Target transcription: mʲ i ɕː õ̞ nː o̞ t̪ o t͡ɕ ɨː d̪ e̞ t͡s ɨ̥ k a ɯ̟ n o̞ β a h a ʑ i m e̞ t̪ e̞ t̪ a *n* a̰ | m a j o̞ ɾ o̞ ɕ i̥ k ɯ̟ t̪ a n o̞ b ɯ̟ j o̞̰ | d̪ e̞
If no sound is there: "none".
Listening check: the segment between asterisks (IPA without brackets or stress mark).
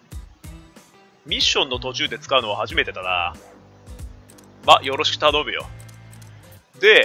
n